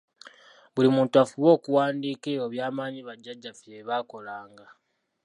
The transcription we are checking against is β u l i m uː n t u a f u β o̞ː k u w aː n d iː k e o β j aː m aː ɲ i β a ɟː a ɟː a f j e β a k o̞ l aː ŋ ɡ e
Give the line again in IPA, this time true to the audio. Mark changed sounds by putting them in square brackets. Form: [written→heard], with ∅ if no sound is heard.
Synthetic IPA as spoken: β u l i m uː n t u a f u β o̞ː k u w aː n d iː k e o β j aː m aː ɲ i β a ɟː a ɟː a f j e β a k o̞ l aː ŋ ɡ [e→a]